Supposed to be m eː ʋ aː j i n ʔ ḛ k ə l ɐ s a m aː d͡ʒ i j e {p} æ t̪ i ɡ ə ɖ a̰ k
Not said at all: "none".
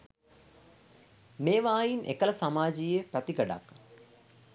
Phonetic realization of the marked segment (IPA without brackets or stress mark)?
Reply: p